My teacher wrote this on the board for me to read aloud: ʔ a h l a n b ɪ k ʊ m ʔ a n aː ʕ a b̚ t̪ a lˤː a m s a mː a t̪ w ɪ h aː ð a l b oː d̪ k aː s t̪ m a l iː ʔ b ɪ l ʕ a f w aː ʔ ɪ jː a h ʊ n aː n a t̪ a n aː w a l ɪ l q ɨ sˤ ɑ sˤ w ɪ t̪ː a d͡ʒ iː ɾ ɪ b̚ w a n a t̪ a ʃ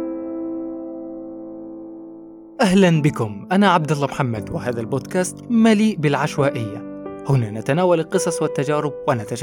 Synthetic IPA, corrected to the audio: ʔ a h l a n b ɪ k ʊ m ʔ a n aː ʕ a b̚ d̪ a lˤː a m ħ a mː a d̪ w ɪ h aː ð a l b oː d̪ k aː s t̪ m a l iː ʔ b ɪ l ʕ a ʃ w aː ʔ ɪ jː a h ʊ n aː n a t̪ a n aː w a l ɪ l q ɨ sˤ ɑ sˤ w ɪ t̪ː a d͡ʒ aː ɾ ɪ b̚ w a n a t̪ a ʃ